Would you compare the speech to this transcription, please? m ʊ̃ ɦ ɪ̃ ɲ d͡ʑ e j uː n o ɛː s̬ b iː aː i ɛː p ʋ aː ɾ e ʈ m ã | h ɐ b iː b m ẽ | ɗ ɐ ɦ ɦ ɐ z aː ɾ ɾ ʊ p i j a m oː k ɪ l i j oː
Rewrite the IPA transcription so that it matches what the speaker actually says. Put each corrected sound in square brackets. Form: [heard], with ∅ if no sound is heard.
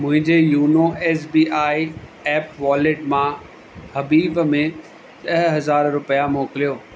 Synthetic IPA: m ʊ̃ ɦ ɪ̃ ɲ d͡ʑ e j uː n o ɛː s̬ b iː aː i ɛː p ʋ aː [l] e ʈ m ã | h ɐ b iː b m ẽ | ɗ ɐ ɦ ɦ ɐ z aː ɾ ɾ ʊ p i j a m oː k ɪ l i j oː